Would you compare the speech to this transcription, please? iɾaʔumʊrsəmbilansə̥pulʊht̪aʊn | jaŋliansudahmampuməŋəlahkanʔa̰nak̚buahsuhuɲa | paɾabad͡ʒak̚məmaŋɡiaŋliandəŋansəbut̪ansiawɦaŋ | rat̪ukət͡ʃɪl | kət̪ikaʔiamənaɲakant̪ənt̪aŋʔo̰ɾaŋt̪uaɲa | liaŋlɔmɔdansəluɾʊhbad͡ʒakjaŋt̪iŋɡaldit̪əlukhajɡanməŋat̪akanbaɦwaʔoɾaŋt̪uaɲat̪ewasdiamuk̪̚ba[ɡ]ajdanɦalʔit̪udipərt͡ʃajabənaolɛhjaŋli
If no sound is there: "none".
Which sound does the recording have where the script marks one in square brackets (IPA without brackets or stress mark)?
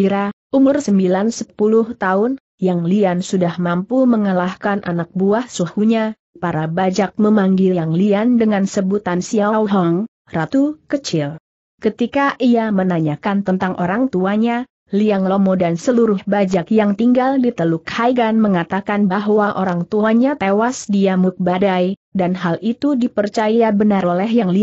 d